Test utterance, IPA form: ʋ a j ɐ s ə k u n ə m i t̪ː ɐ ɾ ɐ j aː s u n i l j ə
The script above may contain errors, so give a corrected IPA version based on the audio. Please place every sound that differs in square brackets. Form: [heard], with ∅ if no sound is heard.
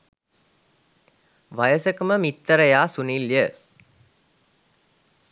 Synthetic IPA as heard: ʋ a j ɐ s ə k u [m] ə m i t̪ː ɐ ɾ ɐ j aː s u n i l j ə